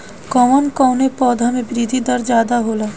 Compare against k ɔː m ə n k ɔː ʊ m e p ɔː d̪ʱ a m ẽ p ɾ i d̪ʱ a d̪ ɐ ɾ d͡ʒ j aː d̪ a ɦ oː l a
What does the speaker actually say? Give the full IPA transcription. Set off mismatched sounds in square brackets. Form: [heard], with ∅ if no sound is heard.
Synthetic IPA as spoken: k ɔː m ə n k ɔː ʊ [n] e p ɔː d̪ʱ a m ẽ [b] ɾ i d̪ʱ [i] d̪ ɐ ɾ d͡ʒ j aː d̪ a ɦ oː l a